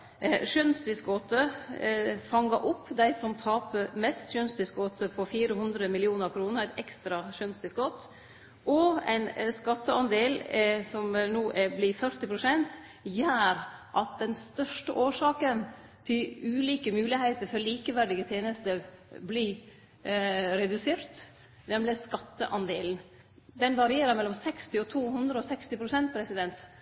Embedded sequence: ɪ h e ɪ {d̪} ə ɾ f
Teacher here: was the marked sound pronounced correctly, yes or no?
no